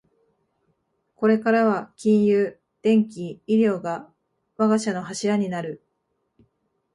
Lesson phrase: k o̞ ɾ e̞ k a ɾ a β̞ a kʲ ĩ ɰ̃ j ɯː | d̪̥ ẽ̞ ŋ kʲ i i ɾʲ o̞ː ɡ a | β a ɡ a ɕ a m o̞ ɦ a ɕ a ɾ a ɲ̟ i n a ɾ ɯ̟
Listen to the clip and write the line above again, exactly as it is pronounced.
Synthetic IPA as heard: k o̞ ɾ e̞ k a ɾ a β̞ a kʲ ĩ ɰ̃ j ɯː | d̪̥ ẽ̞ ŋ kʲ i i ɾʲ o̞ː ɡ a | β a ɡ a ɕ a n o̞ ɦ a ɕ i ɾ a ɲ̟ i n a ɾ ɯ̟

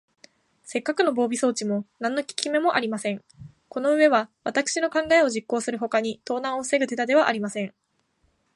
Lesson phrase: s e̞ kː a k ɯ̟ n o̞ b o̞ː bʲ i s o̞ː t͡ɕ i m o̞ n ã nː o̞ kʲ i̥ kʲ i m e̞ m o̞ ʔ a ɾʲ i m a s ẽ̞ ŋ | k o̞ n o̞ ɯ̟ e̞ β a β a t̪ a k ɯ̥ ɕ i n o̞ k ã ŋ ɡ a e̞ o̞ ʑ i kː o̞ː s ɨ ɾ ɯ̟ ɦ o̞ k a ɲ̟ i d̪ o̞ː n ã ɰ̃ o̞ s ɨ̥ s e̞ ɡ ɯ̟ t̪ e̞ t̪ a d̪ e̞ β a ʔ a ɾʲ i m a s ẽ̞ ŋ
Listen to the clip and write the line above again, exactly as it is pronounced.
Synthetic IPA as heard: s e̞ kː a k ɯ̟ n o̞ b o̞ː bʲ i s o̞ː t͡ɕ i m o̞ n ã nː o̞ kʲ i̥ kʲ i m e̞ m o̞ ʔ a ɾʲ i m a s ẽ̞ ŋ | k o̞ n o̞ ɯ̟ e̞ β a β a t̪ a k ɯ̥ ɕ i n o̞ k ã ŋ ɡ a e̞ o̞ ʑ i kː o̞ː s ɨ ɾ ɯ̟ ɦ o̞ k a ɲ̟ i t̪ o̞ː n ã ɰ̃ o̞ s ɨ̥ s e̞ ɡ ɯ̟ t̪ e̞ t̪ a d̪ e̞ β a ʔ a ɾʲ i m a s ẽ̞ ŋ

